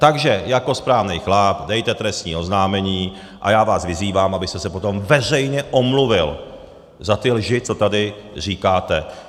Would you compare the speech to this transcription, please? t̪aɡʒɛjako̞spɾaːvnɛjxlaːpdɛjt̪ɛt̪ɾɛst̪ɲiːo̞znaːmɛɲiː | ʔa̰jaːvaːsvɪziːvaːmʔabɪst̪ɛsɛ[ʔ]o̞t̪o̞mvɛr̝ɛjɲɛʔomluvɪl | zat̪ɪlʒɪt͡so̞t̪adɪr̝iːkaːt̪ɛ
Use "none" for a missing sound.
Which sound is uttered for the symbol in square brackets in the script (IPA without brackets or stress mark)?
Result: p